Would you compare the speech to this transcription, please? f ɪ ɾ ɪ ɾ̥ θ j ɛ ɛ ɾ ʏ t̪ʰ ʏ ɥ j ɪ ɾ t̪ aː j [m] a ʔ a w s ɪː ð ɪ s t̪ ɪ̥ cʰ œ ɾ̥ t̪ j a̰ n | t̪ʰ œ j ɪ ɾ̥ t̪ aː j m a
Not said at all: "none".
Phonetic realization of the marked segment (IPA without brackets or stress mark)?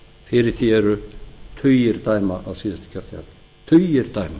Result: m